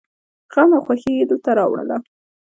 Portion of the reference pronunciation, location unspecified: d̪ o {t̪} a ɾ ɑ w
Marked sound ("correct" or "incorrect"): correct